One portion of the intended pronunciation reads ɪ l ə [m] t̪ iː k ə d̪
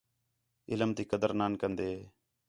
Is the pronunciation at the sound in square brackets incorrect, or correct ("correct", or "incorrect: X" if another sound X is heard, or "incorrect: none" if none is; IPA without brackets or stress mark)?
correct